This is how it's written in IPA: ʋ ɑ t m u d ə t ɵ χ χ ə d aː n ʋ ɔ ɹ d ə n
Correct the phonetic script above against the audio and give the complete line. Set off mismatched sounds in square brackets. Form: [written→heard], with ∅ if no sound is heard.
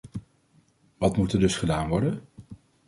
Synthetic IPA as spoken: ʋ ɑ t m u [d→t] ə [t→d] ɵ [χ→s] χ ə d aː n ʋ ɔ ɹ d ə n